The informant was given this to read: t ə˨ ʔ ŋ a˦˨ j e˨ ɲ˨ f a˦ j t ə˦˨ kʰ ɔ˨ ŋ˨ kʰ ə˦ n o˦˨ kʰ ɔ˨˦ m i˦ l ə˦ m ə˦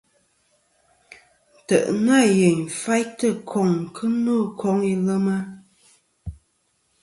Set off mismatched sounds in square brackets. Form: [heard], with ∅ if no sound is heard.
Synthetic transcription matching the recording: t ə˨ ʔ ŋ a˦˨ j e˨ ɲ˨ f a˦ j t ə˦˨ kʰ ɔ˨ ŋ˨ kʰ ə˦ n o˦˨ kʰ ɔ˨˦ [ŋ] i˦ l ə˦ m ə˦